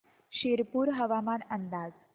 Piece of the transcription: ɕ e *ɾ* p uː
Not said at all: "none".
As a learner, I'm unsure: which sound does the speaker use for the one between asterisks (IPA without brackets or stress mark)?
ɾ